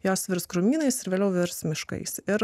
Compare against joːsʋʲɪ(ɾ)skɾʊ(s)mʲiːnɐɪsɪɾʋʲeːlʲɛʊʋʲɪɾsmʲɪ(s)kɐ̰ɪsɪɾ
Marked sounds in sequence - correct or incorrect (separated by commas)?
correct, incorrect, incorrect